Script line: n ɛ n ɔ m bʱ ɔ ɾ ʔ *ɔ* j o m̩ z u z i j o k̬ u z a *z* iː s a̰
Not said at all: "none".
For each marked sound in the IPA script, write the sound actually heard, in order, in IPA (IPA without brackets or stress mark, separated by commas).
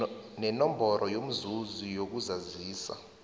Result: ɔ, z